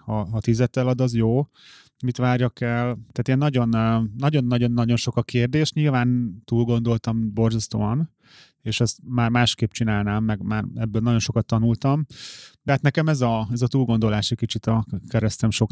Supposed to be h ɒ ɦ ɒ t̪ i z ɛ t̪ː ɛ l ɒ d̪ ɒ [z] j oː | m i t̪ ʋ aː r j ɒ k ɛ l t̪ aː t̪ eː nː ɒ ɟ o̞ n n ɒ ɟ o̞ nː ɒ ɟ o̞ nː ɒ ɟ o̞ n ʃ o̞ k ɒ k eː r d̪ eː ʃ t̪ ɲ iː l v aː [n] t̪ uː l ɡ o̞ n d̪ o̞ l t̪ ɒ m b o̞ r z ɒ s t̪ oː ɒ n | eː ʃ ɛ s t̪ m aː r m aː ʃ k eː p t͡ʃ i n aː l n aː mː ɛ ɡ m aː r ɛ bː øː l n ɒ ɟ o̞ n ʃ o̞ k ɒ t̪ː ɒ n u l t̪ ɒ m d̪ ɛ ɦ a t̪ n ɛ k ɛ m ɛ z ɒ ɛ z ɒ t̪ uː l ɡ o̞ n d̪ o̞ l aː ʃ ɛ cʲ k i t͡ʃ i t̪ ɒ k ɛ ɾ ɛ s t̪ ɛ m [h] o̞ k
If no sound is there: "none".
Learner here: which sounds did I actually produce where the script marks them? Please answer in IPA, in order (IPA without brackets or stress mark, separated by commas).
z, n, ʃ